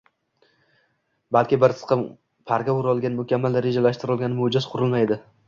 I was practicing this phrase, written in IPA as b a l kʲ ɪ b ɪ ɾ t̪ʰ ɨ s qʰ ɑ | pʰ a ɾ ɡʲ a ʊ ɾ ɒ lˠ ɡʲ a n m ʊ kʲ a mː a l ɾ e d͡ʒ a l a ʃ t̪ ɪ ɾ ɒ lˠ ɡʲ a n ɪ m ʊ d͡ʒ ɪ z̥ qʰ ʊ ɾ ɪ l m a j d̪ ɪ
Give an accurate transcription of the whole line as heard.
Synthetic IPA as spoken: b a l kʲ ɪ b ɪ ɾ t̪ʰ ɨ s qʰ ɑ | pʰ a ɾ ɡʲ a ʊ ɾ ɒ lˠ ɡʲ a n m ʊ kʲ a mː a l ɾ e d͡ʒ a l a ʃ t̪ ɪ ɾ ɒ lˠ ɡʲ a n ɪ m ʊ d͡ʒ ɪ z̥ qʰ ʊ ɾ ɪ l m a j d̪ ɪ

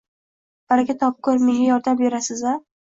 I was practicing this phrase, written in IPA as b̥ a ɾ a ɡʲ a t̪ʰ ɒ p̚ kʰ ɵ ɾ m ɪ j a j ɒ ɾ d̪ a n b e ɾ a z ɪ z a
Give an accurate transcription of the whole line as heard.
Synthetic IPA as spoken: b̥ a ɾ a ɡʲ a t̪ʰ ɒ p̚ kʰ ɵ ɾ m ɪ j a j ɒ ɾ d̪ a m b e ɾ a s ɪ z a

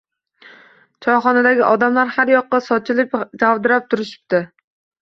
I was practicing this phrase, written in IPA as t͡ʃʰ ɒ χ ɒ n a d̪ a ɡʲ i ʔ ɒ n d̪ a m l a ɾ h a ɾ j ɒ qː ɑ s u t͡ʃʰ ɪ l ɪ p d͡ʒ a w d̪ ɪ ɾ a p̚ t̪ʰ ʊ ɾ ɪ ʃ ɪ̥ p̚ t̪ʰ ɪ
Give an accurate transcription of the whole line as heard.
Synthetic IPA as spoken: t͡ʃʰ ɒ χ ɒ n a d̪ a ɡʲ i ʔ ɒ d̪ a m l a ɾ h a ɾ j ɒ qː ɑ s ɒ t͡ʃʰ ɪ l ɪ p d͡ʒ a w d̪ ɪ ɾ a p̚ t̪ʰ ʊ ɾ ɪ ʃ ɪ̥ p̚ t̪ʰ ɪ

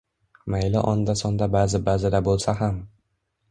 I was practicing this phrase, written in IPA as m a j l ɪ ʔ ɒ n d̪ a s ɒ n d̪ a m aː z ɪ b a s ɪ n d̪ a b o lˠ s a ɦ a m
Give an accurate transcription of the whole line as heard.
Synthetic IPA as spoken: m a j l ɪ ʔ ɒ n d̪ a s ɒ n d̪ a b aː z ɪ b a z ɪ d̪ a b o lˠ s a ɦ a m

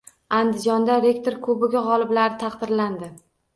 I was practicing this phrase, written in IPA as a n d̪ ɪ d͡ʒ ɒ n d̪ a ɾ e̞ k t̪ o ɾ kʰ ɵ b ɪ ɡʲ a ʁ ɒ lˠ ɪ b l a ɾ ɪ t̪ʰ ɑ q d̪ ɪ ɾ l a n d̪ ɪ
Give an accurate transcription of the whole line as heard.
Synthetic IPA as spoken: a n d̪ ɪ d͡ʒ ɒ n d̪ a ɾ e̞ k t̪ o ɾ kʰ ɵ b ɪ ɡʲ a ʁ ɒ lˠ ɪ b l a ɾ ɪ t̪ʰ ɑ q d̪ ɪ ɾ l a n d̪ ɪ

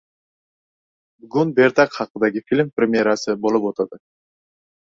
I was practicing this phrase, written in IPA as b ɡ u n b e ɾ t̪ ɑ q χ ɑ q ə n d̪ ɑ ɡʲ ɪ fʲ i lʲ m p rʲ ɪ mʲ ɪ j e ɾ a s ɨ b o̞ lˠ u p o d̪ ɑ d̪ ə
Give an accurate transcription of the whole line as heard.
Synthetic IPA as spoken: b ɡ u n b e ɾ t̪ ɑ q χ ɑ q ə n d̪ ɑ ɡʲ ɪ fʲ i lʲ m p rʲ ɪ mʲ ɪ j e ɾ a s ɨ b o̞ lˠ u p o t̪ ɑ d̪ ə

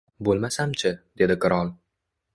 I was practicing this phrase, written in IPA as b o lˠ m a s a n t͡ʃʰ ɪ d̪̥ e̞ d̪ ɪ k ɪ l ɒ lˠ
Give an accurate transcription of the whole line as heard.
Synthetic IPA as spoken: b o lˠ m a s a m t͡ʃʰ ɪ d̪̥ e̞ d̪ ɪ k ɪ ɾ ɒ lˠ

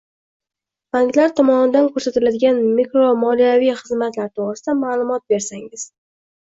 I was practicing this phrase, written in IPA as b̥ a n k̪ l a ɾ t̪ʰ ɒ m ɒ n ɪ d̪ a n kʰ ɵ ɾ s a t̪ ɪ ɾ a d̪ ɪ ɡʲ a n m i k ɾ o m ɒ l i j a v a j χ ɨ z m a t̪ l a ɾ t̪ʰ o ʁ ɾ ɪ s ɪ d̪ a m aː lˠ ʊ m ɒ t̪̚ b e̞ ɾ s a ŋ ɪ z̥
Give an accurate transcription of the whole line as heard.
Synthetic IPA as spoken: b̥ a ŋ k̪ l a ɾ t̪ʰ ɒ m ɒ n ɪ d̪ a n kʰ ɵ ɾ s a t̪ ɪ l a d̪ ɪ ɡʲ a n m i k ɾ o m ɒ l i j a v i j χ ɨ z m a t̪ l a ɾ t̪ʰ o ʁ ɾ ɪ s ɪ d̪ a m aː lˠ ʊ m ɒ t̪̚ b e̞ ɾ s a ŋ ɪ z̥

